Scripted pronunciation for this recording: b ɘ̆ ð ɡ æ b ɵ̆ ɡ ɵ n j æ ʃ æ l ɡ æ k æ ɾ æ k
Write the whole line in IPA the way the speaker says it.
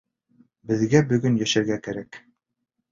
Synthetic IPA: b ɘ̆ ð ɡ æ b ɵ̆ ɡ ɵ n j æ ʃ æ ɾ ɡ æ k æ ɾ æ k

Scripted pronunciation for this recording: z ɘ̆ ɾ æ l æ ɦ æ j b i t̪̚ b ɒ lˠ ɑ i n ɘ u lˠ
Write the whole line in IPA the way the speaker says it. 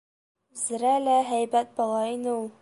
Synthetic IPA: z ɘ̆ ɾ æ l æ ɦ æ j b æ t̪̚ b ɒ lˠ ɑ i n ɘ u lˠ

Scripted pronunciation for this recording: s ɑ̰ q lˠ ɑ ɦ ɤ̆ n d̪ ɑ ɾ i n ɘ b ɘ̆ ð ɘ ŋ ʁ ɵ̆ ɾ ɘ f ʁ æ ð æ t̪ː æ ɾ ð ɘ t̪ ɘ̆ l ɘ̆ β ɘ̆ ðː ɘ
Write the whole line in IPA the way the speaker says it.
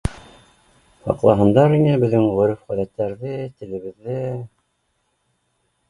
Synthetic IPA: h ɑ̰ q lˠ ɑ ɦ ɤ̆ n d̪ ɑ ɾ i n ɘ b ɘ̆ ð ɘ ŋ ʁ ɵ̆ ɾ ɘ f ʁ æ ð æ t̪ː æ ɾ ð ɘ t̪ ɘ̆ l ɘ̆ β ɘ̆ ðː ɘ

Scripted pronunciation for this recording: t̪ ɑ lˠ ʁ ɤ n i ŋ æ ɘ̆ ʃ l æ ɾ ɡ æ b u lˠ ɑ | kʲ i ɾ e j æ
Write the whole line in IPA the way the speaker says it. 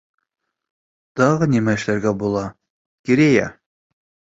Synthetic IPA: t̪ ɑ ʁ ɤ n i m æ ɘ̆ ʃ l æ ɾ ɡ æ b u lˠ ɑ | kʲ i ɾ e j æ

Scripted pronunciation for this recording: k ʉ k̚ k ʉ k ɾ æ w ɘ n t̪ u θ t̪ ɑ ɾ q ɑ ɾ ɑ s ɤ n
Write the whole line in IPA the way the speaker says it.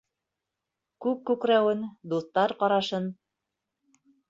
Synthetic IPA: k ʉ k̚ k ʉ k ɾ æ w ɘ n d̪ u θ t̪ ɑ ɾ q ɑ ɾ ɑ ʃ ɤ n

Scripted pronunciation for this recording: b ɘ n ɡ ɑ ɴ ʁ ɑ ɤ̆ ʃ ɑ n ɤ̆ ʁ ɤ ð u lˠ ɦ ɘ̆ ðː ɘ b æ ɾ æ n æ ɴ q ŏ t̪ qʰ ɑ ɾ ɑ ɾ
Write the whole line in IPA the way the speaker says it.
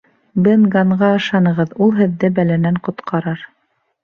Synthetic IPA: b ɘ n ɡ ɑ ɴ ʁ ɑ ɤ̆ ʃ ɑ n ɤ̆ ʁ ɤ ð u lˠ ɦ ɘ̆ ðː ɘ b æ l æ n æ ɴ q ŏ t̪ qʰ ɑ ɾ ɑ ɾ

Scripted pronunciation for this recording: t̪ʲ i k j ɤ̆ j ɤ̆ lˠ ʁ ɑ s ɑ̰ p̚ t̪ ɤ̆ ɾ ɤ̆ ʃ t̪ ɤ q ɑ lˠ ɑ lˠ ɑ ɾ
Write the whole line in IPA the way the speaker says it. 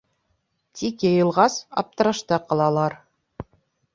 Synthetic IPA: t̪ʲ i k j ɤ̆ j ɤ̆ lˠ ʁ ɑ s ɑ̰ p̚ t̪ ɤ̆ ɾ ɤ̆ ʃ t̪ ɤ q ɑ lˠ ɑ lˠ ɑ ɾ

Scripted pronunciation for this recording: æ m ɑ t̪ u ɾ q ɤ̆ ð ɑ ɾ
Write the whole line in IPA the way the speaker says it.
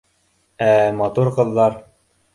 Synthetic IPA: æ m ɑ t̪ u ɾ q ɤ̆ ðː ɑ ɾ

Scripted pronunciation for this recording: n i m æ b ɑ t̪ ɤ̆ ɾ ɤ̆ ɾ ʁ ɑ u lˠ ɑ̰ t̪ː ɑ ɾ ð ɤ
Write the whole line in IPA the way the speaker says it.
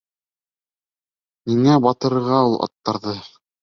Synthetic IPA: n i ŋ æ b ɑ t̪ ɤ̆ ɾ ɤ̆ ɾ ʁ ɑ u lˠ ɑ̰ t̪ː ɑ ɾ ð ɤ

